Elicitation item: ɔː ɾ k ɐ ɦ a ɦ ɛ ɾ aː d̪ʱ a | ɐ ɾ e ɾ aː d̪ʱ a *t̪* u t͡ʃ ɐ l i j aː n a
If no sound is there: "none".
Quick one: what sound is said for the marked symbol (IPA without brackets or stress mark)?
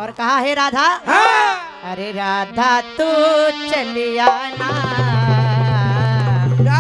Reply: t̪